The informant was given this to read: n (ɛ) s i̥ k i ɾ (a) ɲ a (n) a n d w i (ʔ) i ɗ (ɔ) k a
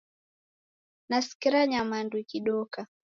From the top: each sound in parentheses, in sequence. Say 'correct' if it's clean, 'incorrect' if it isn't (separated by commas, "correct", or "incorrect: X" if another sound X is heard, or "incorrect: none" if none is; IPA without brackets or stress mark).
incorrect: a, correct, incorrect: m, incorrect: k, correct